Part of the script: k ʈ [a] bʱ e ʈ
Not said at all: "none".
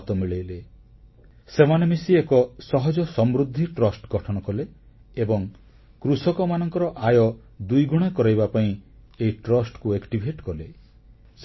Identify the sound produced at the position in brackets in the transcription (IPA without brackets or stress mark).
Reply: i